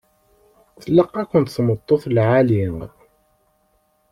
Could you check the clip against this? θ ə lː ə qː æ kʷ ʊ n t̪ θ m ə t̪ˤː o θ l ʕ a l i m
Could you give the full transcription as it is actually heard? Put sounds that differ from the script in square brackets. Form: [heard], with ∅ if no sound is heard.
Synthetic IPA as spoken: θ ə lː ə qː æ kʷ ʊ n t̪ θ m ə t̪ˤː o θ l ʕ a l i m

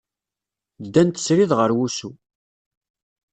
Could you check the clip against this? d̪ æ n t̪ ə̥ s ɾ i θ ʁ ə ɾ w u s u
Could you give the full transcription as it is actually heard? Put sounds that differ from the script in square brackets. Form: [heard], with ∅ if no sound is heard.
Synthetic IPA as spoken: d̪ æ n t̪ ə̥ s ɾ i [ð] ʁ ə ɾ w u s u

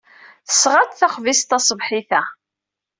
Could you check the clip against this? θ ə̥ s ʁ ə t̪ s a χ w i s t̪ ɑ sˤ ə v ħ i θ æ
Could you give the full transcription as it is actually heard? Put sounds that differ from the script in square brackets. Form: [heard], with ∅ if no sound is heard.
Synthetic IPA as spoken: θ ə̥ s ʁ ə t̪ [θ] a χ [v] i s t̪ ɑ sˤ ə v ħ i θ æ

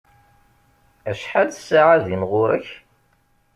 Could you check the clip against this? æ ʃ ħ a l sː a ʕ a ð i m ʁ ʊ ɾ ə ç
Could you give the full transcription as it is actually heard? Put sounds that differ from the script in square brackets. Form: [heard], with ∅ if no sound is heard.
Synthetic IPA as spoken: æ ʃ ħ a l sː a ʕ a ð i m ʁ ʊ ɾ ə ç

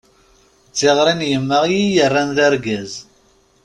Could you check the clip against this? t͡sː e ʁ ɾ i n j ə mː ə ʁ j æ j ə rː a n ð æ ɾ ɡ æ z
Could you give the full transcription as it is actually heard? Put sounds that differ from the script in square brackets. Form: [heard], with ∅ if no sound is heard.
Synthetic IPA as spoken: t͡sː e ʁ ɾ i n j ə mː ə ʁ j [i] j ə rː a n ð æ ɾ ɡ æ z

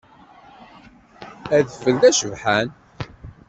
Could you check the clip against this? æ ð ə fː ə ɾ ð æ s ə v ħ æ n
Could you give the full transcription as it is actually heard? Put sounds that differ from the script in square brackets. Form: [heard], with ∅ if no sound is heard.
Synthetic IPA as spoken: æ ð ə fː ə [l] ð æ [ʃ] ə v ħ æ n

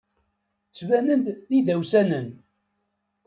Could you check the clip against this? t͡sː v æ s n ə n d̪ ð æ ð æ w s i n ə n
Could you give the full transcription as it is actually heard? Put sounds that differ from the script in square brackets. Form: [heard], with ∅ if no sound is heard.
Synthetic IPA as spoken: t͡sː v æ [∅] n ə n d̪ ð [i] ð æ w s [æ] n ə n

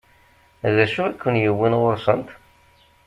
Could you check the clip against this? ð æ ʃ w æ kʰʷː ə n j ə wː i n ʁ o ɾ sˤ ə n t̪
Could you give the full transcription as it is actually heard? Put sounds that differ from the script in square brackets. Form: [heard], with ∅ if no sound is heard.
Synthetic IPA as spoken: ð æ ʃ [u] æ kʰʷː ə n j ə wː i n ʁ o ɾ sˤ ə n t̪

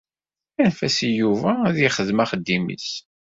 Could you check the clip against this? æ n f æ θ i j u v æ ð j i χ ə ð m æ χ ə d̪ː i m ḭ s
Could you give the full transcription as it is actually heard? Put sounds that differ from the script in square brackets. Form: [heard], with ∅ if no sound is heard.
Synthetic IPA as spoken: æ n f æ [s] i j u v æ ð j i χ ə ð m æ χ ə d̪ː i m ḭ s

